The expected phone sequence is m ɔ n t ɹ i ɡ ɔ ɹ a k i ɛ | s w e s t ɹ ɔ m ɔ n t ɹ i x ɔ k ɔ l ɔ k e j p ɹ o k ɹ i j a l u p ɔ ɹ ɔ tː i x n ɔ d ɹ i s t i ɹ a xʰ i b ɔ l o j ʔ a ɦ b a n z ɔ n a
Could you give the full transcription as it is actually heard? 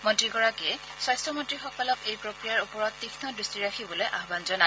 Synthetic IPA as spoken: m ɔ n t ɹ i ɡ ɔ ɹ a k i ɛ | s w a s t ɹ ɔ m ɔ n t ɹ i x ɔ k ɔ l ɔ k e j p ɹ o k ɹ i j a ɹ u p ɔ ɹ ɔ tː i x n ɔ d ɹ i s t i ɹ a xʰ i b ɔ l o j ʔ a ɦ b a n z ɔ n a